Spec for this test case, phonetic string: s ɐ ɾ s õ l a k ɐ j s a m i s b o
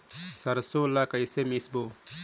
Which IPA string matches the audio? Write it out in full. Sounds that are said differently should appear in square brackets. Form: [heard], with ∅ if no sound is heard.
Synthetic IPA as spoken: s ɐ ɾ s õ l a k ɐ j s [e] m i s b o